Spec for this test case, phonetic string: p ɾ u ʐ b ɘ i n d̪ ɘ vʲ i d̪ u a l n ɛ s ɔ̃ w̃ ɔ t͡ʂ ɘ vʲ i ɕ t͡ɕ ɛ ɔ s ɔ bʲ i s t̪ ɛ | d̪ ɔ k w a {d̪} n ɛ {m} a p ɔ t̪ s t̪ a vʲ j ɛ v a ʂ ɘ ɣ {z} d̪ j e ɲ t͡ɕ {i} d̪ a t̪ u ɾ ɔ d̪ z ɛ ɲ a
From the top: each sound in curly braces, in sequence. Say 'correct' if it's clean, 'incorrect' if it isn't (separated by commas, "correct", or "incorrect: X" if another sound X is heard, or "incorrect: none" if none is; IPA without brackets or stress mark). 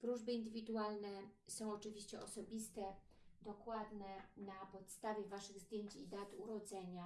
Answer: correct, incorrect: n, correct, correct